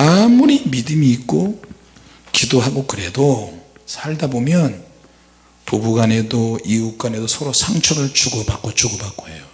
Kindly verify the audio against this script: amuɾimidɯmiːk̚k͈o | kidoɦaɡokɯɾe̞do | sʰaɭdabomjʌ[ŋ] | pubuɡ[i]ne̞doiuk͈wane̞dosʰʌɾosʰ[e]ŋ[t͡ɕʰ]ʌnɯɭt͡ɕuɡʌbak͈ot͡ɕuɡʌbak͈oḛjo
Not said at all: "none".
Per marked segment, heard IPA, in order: n, a, a, t͡ɕʰ

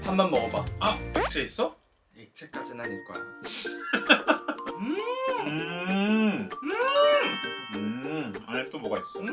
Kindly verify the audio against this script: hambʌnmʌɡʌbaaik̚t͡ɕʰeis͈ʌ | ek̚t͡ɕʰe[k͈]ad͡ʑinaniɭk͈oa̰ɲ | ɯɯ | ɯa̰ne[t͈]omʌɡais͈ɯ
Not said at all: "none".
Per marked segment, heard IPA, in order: k͈, t͈

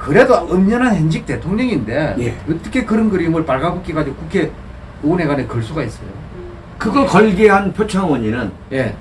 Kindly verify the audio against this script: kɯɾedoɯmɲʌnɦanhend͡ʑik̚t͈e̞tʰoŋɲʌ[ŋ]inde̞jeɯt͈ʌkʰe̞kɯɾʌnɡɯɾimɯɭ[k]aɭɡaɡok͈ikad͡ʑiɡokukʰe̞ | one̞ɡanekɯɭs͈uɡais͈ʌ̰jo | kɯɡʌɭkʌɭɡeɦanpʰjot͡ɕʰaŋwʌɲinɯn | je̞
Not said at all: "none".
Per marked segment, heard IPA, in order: ŋ, p

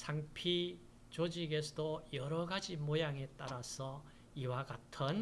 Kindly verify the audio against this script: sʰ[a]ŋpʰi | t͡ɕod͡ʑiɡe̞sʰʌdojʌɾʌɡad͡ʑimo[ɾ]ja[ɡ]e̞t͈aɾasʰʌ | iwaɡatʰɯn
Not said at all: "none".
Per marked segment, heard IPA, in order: a, none, ŋ

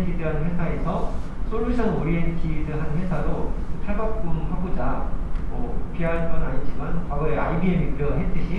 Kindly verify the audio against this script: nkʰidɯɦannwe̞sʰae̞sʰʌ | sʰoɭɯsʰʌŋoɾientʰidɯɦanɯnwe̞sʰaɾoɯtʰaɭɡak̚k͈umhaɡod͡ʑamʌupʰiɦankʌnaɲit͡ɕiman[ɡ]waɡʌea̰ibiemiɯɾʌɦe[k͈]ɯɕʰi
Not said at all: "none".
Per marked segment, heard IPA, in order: k, t͈

